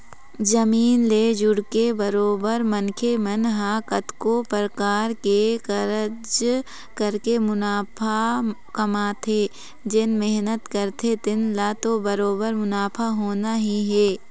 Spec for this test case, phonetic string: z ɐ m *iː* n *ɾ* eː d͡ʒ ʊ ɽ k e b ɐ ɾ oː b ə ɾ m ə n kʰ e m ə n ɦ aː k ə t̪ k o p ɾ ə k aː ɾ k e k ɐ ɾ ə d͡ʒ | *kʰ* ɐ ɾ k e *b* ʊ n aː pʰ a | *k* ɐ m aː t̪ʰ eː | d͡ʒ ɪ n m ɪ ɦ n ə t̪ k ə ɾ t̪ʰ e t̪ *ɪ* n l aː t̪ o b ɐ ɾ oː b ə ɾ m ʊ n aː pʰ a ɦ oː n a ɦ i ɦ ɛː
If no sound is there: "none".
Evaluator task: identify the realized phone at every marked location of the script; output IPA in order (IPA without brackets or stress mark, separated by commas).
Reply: iː, l, k, m, k, ɪ